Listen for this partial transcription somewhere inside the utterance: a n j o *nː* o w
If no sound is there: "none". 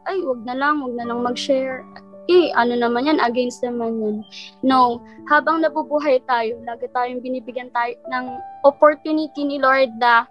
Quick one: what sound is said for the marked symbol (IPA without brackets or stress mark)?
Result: nː